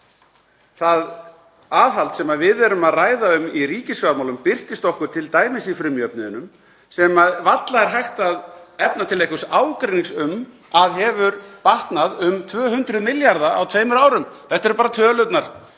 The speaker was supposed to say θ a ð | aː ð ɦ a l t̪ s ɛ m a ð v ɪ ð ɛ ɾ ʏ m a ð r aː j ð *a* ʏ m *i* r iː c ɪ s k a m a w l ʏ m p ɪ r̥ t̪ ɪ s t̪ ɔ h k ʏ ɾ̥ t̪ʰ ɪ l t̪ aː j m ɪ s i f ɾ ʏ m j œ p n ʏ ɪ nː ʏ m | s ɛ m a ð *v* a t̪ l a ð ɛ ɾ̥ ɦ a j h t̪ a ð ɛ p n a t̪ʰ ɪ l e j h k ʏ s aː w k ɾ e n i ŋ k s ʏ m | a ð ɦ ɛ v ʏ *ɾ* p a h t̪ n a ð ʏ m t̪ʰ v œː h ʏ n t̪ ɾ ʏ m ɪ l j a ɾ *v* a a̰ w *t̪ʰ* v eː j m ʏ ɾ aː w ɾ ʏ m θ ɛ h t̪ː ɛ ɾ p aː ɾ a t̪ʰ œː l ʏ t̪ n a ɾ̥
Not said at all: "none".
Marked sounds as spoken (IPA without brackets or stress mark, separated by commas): a, i, v, ɾ, ð, t̪ʰ